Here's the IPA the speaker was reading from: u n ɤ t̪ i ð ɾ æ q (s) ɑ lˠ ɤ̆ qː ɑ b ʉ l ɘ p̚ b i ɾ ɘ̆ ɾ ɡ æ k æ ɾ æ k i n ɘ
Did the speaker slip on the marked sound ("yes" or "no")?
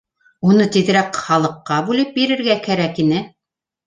yes